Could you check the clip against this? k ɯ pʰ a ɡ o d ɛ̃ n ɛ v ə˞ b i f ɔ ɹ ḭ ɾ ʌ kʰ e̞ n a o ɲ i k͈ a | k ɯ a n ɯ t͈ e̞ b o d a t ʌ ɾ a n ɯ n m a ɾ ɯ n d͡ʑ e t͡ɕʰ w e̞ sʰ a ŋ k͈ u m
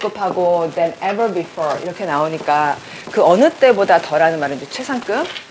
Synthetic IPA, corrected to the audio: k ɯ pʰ a ɡ o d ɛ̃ n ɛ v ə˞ b i f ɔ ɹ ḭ ɾ ʌ kʰ e̞ n a o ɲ i k͈ a | k ɯ ʌ n ɯ t͈ e̞ b o d a t ʌ ɾ a n ɯ n m a ɾ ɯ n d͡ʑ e t͡ɕʰ w e̞ sʰ a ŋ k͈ ɯ m